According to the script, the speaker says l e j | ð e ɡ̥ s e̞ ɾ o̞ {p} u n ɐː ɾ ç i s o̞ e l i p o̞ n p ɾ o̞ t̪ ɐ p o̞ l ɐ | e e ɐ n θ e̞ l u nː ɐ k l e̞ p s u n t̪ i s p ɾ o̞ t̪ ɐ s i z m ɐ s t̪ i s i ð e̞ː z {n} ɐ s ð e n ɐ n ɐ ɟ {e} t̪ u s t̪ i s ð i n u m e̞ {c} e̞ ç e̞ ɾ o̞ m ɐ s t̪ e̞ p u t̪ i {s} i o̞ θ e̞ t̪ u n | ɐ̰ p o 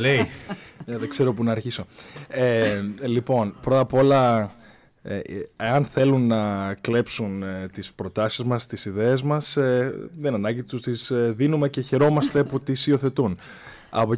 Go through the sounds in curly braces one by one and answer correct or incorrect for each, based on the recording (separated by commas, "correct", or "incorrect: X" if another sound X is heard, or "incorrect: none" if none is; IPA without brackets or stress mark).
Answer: correct, incorrect: m, incorrect: i, correct, correct